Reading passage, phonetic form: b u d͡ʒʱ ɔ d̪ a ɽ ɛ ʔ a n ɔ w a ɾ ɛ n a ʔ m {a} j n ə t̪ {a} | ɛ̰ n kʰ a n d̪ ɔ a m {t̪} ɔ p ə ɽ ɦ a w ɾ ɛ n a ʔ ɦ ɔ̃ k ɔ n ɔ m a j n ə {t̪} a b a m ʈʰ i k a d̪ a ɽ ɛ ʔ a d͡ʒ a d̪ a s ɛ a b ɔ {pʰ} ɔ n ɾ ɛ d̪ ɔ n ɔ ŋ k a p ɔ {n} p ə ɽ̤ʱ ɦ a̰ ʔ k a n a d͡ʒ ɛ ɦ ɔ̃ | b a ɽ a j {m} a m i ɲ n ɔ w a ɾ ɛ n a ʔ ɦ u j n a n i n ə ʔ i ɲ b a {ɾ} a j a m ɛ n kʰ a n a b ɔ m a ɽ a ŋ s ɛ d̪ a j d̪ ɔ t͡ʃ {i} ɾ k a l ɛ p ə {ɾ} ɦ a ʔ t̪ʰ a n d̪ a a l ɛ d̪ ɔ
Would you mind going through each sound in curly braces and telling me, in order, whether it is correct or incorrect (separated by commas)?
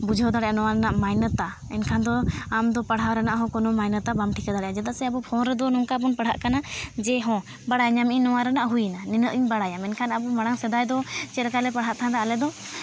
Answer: correct, correct, incorrect, correct, correct, correct, incorrect, incorrect, incorrect, incorrect